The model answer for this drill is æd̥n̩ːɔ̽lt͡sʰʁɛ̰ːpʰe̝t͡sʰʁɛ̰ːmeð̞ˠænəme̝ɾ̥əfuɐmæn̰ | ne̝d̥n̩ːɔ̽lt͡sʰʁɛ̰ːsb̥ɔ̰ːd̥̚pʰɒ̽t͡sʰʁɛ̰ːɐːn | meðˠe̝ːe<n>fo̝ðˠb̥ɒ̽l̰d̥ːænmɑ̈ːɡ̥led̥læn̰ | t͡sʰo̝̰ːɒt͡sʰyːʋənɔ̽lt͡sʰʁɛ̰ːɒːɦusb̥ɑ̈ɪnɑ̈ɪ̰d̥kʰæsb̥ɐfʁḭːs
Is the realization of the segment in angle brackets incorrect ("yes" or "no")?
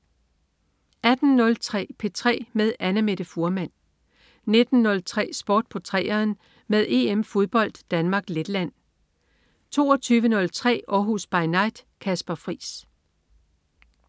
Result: yes